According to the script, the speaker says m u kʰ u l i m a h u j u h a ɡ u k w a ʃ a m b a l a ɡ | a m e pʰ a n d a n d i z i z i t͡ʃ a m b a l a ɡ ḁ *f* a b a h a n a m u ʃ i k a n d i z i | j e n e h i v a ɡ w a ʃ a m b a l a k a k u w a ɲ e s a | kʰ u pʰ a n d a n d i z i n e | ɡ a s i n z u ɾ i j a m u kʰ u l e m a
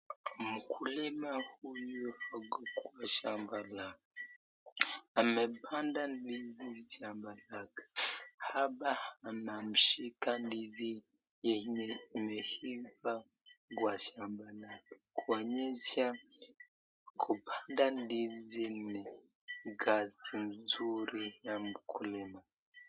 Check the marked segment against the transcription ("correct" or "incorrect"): incorrect